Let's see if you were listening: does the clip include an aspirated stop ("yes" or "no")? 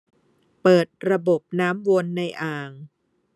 no